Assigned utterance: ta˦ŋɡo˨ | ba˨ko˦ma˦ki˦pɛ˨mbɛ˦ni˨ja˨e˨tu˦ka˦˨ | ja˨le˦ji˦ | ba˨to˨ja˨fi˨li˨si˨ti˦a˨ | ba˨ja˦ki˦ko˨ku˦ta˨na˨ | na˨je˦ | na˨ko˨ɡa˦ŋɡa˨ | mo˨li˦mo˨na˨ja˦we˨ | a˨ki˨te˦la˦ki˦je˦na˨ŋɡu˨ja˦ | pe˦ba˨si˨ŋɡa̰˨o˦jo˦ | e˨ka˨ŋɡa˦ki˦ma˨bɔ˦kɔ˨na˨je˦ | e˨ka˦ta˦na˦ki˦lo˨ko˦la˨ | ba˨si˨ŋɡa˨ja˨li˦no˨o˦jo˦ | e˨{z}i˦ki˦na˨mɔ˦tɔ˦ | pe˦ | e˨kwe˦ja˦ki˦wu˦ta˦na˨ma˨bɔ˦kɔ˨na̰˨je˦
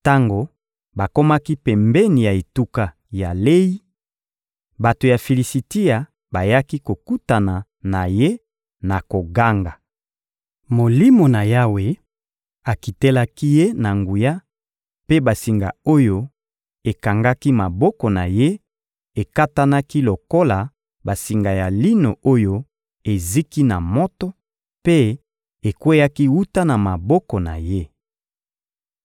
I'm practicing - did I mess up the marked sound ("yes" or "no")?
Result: no